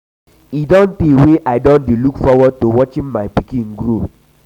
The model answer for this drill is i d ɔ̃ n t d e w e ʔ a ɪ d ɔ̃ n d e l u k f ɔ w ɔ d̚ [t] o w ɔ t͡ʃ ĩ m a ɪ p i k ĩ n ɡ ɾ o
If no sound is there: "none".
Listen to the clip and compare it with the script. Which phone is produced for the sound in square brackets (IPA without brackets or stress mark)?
t